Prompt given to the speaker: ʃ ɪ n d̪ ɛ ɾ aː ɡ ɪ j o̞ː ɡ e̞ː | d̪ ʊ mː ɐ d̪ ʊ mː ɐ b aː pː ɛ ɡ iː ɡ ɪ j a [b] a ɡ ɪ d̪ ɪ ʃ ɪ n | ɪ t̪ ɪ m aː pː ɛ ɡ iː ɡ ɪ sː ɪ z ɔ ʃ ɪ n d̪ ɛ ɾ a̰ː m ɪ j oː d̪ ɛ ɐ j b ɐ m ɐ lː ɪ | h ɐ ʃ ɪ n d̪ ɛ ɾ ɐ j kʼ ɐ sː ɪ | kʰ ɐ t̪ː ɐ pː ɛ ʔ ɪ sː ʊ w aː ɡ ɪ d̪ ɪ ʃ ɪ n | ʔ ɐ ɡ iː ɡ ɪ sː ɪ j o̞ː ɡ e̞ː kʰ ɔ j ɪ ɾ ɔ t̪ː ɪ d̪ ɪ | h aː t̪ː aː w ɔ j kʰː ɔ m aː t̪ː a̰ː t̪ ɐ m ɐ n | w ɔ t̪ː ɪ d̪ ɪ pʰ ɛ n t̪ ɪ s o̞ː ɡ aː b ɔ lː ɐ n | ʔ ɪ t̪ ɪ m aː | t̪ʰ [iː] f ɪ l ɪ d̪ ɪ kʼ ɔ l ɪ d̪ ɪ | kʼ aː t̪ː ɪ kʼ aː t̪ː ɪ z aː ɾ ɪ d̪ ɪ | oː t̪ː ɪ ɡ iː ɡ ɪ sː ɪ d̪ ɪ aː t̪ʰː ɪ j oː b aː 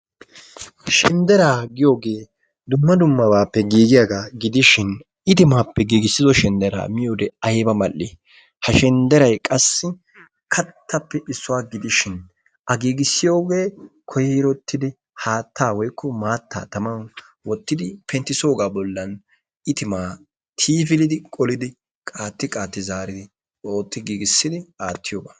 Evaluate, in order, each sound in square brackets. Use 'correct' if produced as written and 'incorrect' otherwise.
incorrect, correct

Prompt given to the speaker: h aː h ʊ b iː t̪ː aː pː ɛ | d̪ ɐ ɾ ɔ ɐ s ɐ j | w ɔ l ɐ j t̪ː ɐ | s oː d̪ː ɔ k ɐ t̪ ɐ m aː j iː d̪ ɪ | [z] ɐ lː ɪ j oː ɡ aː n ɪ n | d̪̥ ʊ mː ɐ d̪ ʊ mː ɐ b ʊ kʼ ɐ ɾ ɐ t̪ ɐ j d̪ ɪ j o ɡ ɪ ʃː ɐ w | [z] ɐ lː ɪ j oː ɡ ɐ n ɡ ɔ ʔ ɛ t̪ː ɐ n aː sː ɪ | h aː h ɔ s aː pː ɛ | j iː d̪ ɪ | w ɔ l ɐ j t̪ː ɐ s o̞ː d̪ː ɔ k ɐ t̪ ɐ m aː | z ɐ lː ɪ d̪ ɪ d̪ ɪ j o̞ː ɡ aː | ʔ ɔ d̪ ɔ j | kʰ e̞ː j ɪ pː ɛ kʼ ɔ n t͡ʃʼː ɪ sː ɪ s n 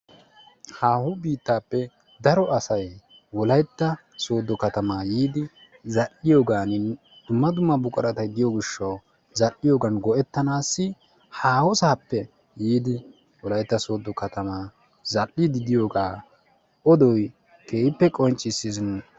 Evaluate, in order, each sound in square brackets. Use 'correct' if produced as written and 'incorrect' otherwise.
correct, correct

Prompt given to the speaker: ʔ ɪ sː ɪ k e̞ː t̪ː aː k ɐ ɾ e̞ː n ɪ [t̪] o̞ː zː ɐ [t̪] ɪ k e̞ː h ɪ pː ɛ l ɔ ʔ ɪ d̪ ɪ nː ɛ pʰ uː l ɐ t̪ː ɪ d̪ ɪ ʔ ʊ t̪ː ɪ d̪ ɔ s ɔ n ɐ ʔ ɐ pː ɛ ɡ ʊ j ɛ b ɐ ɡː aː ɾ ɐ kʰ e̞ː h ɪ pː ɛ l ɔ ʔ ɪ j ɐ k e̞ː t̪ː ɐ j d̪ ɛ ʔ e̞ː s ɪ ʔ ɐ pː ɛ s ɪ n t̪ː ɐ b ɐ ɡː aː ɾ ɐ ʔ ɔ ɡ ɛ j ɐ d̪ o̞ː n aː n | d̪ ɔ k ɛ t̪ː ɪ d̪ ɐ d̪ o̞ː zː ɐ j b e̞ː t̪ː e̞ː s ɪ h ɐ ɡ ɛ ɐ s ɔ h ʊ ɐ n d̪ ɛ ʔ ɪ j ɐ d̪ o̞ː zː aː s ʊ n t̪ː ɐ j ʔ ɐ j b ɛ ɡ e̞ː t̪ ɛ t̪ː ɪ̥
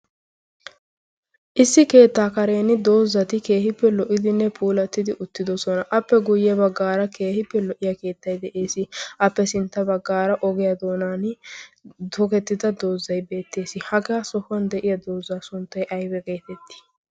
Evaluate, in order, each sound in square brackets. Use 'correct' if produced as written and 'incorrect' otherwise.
incorrect, correct

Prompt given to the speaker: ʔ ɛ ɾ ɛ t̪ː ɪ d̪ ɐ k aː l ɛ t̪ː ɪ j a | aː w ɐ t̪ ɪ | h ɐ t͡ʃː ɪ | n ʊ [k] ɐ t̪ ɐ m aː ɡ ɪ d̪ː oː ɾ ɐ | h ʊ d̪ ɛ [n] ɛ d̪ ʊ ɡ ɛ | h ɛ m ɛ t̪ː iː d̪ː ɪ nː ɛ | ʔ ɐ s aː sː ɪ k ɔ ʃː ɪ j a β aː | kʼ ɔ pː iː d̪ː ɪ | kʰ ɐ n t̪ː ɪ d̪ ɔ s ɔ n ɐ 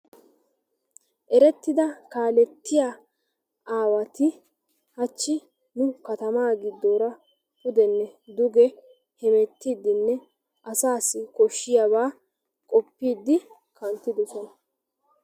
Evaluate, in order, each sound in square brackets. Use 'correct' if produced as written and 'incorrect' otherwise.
correct, incorrect

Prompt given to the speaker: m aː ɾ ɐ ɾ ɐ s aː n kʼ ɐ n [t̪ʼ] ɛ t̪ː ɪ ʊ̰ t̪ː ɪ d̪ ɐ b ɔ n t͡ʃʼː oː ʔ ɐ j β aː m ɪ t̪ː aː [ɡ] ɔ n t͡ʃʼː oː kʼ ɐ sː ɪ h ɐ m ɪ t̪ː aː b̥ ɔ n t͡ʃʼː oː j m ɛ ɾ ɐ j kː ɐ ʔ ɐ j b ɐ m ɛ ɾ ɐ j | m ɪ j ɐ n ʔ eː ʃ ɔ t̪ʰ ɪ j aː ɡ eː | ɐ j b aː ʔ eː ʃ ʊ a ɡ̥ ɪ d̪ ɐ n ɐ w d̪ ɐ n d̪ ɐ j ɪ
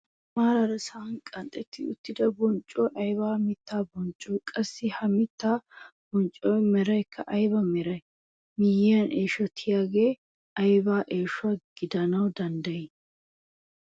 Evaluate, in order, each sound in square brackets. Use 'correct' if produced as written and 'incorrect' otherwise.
correct, incorrect

